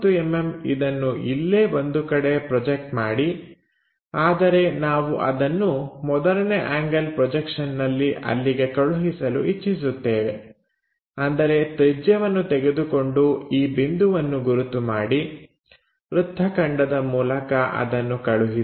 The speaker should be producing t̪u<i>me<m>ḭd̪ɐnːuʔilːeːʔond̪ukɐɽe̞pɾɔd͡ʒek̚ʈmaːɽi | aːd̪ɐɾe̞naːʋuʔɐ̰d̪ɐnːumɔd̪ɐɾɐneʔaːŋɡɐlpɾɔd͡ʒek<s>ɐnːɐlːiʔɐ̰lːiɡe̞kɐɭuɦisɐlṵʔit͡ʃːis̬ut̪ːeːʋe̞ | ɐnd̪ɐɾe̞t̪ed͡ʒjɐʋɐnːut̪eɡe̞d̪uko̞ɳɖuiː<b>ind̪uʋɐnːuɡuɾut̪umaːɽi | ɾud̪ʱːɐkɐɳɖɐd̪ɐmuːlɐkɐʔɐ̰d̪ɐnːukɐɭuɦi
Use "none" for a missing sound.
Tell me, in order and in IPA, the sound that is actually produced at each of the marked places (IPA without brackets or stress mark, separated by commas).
e, m, ʂ, b